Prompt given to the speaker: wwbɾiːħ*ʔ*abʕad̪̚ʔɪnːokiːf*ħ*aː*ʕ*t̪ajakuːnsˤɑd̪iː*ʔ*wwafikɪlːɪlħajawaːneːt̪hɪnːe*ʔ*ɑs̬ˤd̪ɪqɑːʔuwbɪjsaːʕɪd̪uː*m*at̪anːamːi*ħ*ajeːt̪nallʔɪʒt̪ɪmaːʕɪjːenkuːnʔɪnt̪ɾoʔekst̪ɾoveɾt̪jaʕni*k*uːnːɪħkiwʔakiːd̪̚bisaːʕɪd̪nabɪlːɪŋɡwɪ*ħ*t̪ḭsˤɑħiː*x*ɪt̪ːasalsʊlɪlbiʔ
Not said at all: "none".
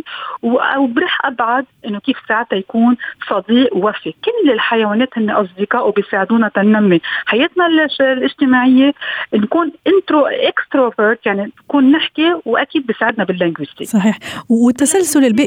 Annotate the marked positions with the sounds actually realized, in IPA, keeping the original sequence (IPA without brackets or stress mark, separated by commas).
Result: ʔ, s, ʕ, ʔ, ʔ, n, ħ, k, s, ħ